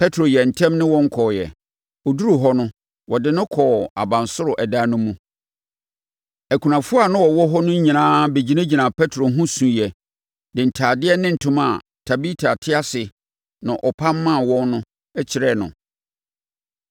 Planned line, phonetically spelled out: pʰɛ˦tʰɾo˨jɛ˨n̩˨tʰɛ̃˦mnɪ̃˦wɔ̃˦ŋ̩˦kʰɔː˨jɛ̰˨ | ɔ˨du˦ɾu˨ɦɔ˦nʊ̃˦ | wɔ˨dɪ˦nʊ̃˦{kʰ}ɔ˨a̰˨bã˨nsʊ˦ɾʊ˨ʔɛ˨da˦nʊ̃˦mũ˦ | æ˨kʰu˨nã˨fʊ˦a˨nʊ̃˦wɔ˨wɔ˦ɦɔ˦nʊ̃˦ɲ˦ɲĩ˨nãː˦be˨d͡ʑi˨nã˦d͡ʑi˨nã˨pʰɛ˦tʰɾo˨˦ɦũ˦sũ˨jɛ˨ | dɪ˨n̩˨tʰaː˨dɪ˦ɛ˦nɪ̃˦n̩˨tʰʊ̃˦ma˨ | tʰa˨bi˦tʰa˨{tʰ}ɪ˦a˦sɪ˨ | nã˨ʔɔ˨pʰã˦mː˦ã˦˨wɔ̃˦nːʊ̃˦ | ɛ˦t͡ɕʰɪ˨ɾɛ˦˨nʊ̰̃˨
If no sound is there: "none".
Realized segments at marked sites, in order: kʰ, tʰ

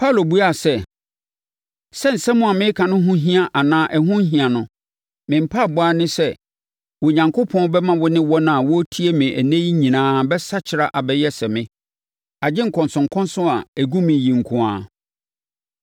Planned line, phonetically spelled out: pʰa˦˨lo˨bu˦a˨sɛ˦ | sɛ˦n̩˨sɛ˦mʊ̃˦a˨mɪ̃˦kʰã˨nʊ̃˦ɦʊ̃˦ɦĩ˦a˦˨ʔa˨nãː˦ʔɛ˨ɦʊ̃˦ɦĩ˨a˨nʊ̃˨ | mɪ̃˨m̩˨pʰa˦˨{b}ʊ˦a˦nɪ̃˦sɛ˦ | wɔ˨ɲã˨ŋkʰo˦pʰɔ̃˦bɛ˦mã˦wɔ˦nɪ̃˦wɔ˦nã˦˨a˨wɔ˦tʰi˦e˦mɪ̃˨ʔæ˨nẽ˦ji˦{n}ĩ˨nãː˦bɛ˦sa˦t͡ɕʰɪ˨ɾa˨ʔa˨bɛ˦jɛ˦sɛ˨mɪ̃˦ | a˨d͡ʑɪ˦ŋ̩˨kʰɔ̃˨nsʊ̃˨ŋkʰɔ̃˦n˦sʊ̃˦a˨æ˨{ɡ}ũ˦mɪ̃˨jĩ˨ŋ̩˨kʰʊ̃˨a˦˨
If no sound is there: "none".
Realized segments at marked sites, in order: b, ɲ, ɡ

